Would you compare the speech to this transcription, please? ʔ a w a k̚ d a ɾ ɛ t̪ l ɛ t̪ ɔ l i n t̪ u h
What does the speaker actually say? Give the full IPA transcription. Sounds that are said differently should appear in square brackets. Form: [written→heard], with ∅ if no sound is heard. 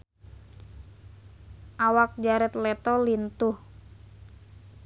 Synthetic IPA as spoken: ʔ a w a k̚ [d→d͡ʒ] a ɾ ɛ t̪ l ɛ t̪ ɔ l i n t̪ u h